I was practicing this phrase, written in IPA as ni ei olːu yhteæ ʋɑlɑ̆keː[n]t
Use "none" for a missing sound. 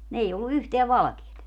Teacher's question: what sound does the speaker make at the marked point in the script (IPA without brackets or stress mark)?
none